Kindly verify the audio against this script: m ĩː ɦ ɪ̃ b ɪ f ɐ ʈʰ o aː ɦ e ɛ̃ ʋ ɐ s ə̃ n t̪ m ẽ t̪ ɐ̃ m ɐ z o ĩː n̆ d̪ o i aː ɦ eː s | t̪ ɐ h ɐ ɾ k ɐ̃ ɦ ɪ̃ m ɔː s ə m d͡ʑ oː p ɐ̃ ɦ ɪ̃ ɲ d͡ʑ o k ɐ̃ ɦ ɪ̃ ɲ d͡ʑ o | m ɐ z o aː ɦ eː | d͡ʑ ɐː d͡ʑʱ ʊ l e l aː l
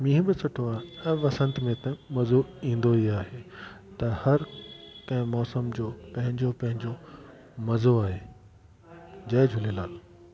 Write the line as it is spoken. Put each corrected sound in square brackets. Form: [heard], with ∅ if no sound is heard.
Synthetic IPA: m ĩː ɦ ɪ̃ b ɪ [s] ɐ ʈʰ o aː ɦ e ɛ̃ ʋ ɐ s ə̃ n t̪ m ẽ t̪ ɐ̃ m ɐ z o ĩː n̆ d̪ o i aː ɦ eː [∅] | t̪ ɐ h ɐ ɾ k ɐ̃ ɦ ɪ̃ m ɔː s ə m d͡ʑ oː p ɐ̃ ɦ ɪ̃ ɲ d͡ʑ o [p] ɐ̃ ɦ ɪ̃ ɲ d͡ʑ o | m ɐ z o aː ɦ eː | d͡ʑ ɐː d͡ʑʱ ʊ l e l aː l

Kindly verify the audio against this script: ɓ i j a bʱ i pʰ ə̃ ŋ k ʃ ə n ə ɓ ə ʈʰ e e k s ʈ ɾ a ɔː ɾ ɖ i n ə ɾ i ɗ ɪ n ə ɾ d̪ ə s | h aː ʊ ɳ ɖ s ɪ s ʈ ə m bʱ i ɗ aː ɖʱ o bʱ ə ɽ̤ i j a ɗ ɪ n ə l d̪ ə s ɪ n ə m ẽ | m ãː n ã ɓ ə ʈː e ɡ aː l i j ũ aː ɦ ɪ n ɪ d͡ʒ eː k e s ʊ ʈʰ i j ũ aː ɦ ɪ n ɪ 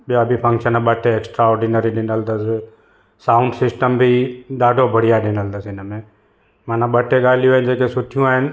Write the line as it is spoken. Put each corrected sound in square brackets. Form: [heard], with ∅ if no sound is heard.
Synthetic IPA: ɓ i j a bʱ i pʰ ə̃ ŋ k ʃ ə n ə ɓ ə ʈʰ e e k s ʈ ɾ a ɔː ɾ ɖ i n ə ɾ i ɗ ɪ n ə [l] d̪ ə s | [s] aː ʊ ɳ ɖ s ɪ s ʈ ə m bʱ i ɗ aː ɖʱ o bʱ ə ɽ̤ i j a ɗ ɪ n ə l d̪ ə s ɪ n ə m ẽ | m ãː n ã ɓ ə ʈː e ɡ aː l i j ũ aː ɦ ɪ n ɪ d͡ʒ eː k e s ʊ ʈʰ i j ũ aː ɦ ɪ n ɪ

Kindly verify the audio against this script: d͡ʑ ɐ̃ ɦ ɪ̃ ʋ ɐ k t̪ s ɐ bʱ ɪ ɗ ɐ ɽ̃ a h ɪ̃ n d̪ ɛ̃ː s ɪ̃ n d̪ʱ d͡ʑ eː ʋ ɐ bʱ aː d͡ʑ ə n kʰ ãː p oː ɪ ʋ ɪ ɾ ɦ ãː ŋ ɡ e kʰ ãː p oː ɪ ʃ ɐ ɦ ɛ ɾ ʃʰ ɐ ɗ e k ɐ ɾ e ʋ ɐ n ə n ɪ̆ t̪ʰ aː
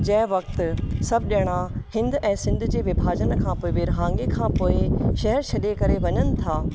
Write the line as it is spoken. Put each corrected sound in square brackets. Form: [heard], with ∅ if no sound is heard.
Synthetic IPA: d͡ʑ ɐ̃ ɦ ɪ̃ ʋ ɐ k t̪ s ɐ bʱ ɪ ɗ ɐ ɽ̃ a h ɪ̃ n d̪ ɛ̃ː s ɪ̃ n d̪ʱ d͡ʑ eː ʋ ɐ bʱ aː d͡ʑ ə n kʰ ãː p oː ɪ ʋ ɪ ɾ ɦ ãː ŋ ɡ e kʰ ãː p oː ɪ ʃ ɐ ɦ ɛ ɾ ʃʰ ɐ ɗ e k ɐ ɾ e ʋ ɐ [ɲ] ə n ɪ̆ t̪ʰ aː

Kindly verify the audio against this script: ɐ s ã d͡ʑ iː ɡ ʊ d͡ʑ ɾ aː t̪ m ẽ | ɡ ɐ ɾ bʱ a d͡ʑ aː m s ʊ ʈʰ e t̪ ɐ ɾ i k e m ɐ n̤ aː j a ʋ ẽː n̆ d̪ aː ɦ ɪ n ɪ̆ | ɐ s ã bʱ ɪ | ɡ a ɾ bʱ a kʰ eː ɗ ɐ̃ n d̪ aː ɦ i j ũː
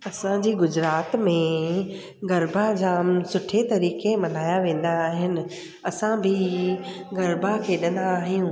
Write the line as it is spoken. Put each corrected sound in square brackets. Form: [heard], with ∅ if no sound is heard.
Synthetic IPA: ɐ s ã d͡ʑ iː ɡ ʊ d͡ʑ ɾ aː t̪ m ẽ | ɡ ɐ ɾ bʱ a d͡ʑ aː m s ʊ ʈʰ e t̪ ɐ ɾ [iː] k e m ɐ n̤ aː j a ʋ ẽː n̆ d̪ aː ɦ ɪ n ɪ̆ | ɐ s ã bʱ ɪ | ɡ [ɐ] ɾ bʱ a kʰ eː ɗ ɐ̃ n d̪ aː ɦ i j ũː

